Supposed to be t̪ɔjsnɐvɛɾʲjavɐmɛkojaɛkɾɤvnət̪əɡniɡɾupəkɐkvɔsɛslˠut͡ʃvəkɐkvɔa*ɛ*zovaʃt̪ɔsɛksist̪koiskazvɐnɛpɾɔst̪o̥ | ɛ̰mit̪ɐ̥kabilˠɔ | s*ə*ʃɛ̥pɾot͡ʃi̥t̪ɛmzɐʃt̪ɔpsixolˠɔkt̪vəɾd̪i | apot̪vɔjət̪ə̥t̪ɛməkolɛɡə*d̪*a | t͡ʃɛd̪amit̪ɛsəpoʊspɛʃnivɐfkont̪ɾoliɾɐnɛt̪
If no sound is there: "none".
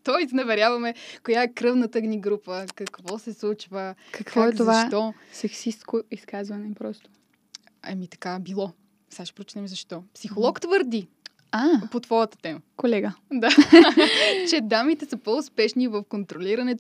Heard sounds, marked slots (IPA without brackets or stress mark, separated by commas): ɛ, a, d̪